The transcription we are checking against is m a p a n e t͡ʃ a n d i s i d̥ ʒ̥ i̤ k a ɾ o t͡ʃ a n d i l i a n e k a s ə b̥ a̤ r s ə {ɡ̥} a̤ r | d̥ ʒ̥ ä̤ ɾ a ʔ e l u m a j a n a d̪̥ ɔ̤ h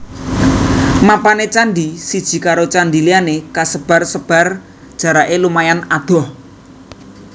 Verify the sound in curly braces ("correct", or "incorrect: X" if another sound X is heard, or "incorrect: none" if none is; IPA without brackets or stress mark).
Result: incorrect: b̥